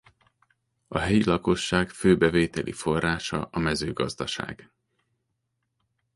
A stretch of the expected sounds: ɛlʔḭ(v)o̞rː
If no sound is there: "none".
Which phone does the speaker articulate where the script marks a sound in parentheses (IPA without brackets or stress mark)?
f